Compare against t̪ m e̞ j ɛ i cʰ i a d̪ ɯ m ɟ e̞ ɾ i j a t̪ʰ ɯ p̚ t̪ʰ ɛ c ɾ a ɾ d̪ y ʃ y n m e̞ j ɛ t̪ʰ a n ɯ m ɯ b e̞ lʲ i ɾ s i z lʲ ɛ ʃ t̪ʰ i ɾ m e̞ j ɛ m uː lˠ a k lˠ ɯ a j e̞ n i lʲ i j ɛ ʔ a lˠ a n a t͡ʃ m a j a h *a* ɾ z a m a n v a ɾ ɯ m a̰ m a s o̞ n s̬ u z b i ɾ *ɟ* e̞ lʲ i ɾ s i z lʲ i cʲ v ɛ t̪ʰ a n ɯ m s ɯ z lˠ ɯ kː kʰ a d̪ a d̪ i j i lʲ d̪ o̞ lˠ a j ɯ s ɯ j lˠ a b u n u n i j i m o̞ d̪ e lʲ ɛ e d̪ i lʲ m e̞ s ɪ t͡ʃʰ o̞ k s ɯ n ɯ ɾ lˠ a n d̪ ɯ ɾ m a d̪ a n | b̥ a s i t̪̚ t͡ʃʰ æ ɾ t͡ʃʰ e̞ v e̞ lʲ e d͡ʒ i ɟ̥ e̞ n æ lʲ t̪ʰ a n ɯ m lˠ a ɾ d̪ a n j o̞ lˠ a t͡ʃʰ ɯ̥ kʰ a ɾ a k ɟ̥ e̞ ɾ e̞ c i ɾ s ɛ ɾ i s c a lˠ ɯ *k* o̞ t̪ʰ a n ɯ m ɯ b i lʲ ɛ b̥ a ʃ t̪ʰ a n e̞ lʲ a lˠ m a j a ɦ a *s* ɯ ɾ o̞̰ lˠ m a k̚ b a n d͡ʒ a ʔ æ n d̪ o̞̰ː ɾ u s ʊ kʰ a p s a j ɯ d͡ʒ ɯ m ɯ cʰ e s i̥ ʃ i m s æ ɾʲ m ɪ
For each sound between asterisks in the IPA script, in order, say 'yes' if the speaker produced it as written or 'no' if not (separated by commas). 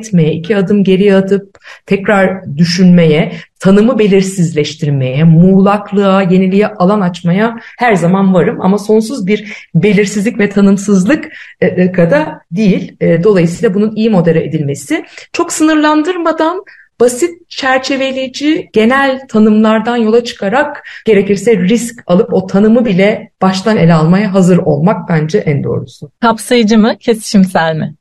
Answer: no, no, no, no